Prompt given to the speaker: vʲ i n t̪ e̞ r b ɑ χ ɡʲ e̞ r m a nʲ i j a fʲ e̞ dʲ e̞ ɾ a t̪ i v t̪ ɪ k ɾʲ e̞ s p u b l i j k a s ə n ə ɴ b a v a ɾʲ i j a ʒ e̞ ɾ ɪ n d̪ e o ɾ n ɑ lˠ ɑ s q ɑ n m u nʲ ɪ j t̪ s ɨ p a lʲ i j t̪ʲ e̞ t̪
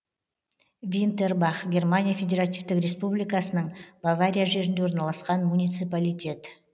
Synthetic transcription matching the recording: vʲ i n t̪ e̞ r b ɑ χ ɡʲ e̞ r m a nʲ i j a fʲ e̞ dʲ e̞ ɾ a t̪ i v t̪ ɪ k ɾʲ e̞ s p u b l i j k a s ə n ə ɴ b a v a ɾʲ i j a ʒ e̞ ɾ ɪ n d̪ e o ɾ n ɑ lˠ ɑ s q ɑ n m u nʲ i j t̪ s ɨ p a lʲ i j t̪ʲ e̞ t̪